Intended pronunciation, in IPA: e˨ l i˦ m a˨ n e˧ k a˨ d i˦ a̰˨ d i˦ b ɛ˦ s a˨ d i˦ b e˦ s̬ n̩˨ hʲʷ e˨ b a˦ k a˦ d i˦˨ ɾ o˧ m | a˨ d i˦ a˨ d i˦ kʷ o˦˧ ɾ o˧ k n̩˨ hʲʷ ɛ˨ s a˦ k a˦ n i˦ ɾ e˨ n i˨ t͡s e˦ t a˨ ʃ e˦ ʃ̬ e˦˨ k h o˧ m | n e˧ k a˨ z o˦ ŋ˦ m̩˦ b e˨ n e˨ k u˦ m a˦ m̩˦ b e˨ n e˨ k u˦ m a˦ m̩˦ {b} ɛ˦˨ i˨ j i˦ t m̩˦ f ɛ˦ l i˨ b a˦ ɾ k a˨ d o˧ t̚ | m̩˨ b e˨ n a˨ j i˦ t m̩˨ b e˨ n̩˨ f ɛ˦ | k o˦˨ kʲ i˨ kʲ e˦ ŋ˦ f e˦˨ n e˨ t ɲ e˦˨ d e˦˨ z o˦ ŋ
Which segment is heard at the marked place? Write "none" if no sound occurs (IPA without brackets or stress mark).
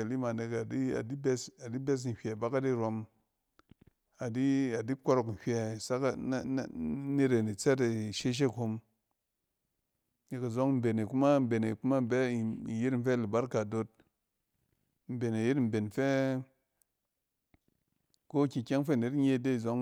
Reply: b